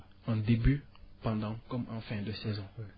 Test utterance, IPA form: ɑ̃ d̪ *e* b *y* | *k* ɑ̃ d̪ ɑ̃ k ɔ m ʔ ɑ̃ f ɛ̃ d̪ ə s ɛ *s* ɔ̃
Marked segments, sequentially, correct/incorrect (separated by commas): correct, correct, incorrect, incorrect